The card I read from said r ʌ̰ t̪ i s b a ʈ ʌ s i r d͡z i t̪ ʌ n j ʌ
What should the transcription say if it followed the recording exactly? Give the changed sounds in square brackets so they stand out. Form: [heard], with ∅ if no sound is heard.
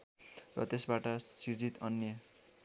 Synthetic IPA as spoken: r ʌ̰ t̪ [e] s b a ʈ ʌ s i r d͡z i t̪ ʌ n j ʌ